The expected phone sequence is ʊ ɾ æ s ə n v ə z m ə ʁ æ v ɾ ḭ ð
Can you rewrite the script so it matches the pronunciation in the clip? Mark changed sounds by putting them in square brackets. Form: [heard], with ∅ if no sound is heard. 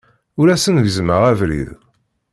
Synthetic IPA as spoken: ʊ ɾ æ s ə n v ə z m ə ʁ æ v ɾ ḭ ð